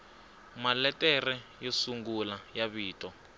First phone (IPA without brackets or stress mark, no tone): m